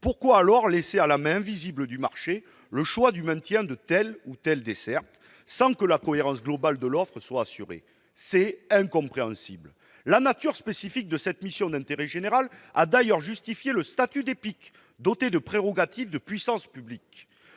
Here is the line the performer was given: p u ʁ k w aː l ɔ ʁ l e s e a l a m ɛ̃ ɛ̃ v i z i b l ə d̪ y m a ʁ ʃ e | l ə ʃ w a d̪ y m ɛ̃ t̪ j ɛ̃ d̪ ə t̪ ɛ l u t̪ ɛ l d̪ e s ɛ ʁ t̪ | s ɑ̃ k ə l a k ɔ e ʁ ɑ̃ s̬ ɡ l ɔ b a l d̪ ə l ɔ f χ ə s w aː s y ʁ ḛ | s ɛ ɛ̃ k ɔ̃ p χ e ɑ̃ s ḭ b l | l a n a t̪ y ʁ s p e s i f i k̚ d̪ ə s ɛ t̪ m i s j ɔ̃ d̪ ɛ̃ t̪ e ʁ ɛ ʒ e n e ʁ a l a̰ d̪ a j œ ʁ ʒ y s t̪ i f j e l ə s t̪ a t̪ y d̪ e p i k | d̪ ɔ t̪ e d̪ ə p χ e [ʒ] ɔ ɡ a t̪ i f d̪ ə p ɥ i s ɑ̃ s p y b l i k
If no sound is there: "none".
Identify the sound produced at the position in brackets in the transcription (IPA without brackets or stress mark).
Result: ʁ